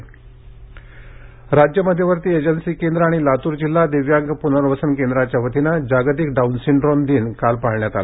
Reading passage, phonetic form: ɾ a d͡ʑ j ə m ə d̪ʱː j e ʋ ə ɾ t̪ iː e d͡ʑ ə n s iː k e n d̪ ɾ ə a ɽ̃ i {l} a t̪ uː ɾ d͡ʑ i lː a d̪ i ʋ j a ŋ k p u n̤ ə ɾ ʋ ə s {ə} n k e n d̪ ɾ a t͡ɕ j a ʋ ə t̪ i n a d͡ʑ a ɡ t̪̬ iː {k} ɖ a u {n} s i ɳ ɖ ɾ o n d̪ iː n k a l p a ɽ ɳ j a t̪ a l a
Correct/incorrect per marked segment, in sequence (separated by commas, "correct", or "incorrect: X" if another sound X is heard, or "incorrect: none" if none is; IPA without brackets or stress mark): correct, correct, correct, correct